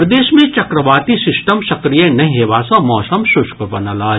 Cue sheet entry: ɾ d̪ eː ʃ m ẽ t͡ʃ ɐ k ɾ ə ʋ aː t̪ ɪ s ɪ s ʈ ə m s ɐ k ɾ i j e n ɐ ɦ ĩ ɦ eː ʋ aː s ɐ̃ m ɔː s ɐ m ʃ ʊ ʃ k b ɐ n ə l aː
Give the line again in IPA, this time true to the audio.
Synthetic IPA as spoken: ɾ d̪ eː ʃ m ẽ t͡ʃ ɐ k ɾ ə ʋ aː t̪ i s ɪ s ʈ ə m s ɐ k ɾ i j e n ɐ ɦ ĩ ɦ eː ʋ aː s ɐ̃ m ɔː s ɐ m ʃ ʊ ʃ k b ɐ n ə l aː

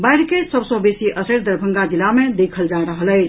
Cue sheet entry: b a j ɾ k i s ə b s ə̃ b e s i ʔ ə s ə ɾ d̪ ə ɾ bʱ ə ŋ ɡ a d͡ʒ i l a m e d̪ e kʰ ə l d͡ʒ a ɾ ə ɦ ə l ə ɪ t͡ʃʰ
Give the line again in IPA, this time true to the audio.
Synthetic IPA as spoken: b a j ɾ k e s ə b s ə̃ b e s i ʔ ə s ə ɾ d̪ ə ɾ bʱ ə ŋ ɡ a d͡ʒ i l a m e d̪ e kʰ ə l d͡ʒ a ɾ ə ɦ ə l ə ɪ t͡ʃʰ

